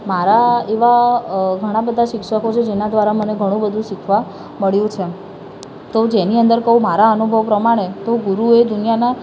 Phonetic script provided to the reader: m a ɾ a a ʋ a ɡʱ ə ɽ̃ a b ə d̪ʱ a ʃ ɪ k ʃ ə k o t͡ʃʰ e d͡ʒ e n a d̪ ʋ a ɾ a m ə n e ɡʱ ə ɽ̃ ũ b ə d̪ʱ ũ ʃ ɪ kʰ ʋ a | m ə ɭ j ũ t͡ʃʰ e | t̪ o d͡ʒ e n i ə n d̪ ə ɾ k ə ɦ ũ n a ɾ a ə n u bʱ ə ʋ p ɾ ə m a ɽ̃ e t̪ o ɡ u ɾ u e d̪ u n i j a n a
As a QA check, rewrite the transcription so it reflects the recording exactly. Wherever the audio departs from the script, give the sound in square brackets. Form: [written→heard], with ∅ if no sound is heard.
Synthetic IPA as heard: m a ɾ a [a→e] ʋ a ɡʱ ə ɽ̃ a b ə d̪ʱ a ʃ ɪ k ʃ ə k o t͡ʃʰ e d͡ʒ e n a d̪ ʋ a ɾ a m ə n e ɡʱ ə ɽ̃ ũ b ə d̪ʱ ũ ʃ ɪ kʰ ʋ a | m ə ɭ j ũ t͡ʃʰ e | t̪ o d͡ʒ e n i ə n d̪ ə ɾ k ə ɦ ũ [n→m] a ɾ a ə n u bʱ ə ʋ p ɾ ə m a ɽ̃ e t̪ o ɡ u ɾ u e d̪ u n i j a n a